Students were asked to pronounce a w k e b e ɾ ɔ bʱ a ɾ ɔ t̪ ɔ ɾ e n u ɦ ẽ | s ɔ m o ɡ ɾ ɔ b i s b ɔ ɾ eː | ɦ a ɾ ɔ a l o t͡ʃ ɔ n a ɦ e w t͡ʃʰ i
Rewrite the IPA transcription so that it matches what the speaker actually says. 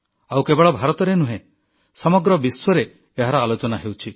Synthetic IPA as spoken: a w k e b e ɭ ɔ bʱ a ɾ ɔ t̪ ɔ ɾ e n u ɦ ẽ | s ɔ m ɔ ɡ ɾ ɔ b i s w ɔ ɾ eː | ɦ a ɾ ɔ a l o t͡ʃ ɔ n a ɦ e w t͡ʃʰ i

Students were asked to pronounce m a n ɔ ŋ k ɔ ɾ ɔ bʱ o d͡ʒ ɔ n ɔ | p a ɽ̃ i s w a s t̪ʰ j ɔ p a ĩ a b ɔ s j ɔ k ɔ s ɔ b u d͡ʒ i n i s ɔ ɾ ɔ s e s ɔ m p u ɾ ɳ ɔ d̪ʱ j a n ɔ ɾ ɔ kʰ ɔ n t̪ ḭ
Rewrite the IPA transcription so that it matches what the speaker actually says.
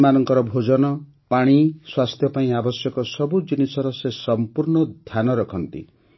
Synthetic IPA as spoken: m a n ɔ ŋ k ɔ ɾ ɔ bʱ o d͡ʒ ɔ n ɔ | p a ɽ̃ i s w a s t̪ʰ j ɔ p a ĩ a b ɔ s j ɔ k ɔ s ɔ b u d͡ʒ i n i s ɔ ɾ ɔ s e s ɔ m p u ɾ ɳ ɔ d̪ʱ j a n ɔ ɾ ɔ kʰ ɔ n t̪ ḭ

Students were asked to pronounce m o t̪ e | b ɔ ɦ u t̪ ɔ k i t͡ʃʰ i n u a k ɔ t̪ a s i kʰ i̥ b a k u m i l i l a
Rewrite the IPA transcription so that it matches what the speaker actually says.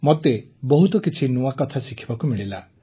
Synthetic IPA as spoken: m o t̪ e | b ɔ ɦ u t̪ ɔ k i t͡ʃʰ i n u a k ɔ t̪ʰ a s i kʰ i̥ b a k u m i ɭ i l a

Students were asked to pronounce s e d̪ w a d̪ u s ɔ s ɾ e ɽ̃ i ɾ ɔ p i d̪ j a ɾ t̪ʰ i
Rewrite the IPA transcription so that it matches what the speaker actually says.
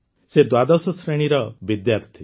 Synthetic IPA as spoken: s e d̪ w a d̪ ɔ s ɔ s ɾ e ɽ̃ i ɾ ɔ b i d̪ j a ɾ t̪ʰ i

